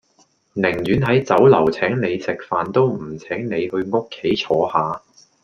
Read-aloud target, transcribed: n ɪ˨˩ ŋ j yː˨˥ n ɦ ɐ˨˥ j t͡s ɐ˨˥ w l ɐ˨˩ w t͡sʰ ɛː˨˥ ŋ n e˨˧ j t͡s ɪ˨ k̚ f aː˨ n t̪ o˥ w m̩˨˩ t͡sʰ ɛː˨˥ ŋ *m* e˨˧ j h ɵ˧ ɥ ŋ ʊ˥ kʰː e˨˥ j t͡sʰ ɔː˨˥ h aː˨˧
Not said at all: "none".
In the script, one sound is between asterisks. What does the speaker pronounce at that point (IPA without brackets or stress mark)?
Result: n